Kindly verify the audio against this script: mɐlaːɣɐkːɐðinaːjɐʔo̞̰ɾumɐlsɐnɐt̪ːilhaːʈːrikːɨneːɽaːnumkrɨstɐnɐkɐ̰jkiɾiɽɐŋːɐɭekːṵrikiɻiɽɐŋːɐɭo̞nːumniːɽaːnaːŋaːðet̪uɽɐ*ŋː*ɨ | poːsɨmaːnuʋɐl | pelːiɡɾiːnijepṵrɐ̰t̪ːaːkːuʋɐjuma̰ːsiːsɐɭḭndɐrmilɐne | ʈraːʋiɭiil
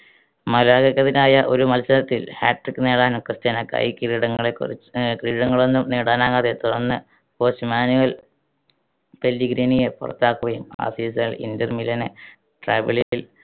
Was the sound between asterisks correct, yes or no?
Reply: no